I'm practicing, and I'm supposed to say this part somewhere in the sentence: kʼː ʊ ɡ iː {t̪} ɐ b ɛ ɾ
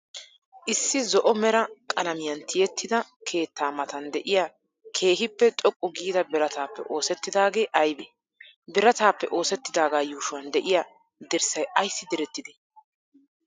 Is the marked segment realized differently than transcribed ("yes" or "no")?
yes